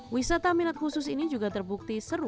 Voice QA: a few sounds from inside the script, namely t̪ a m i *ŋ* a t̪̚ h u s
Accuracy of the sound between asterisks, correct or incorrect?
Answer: incorrect: n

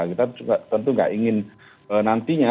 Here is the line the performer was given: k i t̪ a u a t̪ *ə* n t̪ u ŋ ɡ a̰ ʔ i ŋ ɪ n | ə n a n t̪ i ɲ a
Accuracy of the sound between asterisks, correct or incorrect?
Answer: correct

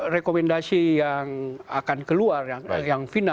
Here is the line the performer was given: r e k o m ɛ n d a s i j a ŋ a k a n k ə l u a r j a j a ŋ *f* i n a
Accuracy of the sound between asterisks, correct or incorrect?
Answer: correct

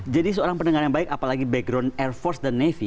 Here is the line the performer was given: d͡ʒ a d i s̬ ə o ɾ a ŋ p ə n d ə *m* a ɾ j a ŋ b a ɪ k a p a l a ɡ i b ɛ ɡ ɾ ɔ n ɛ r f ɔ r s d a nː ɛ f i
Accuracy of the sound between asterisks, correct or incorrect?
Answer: incorrect: ŋ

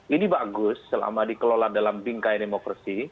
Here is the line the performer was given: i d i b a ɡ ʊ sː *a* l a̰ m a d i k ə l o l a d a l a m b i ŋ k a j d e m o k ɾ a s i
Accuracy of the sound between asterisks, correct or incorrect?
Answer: incorrect: ə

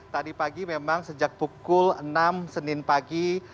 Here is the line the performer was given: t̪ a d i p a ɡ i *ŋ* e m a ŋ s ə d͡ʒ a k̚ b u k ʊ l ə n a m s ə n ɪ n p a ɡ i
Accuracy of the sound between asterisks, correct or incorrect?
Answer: incorrect: m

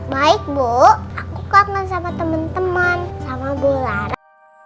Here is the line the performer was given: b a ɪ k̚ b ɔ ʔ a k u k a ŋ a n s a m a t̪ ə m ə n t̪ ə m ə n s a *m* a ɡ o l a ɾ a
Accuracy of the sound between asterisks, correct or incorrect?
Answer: correct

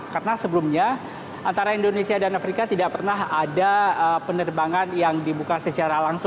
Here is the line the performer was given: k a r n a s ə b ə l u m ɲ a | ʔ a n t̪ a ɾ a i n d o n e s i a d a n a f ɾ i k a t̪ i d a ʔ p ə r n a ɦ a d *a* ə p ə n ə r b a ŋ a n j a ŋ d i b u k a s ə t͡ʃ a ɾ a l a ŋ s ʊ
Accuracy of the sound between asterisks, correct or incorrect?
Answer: correct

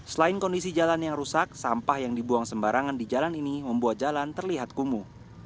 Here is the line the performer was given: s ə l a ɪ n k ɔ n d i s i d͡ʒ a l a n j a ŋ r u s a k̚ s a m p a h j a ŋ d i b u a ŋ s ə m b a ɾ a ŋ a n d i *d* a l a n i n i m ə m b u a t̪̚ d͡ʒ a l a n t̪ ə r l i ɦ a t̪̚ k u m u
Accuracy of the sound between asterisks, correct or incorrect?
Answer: incorrect: d͡ʒ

